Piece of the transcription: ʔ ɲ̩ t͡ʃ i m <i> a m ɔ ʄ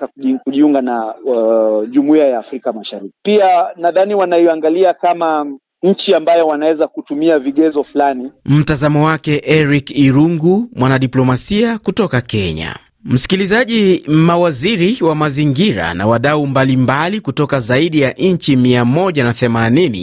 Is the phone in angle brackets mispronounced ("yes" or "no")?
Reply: no